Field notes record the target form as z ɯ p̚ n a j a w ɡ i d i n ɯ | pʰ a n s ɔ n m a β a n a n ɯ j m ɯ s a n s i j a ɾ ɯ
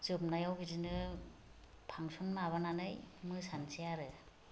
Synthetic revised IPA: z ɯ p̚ n a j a w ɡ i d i n ɯ | pʰ a ŋ s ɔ n m a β a n a n ɯ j m ɯ s a n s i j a ɾ ɯ